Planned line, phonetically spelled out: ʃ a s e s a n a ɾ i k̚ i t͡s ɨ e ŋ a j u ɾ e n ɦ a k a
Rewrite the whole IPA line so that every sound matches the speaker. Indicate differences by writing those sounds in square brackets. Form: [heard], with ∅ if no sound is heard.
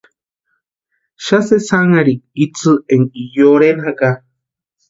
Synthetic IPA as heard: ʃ a s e s a [ŋ] a ɾ i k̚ i t͡s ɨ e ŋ [i] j [o] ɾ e n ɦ a k a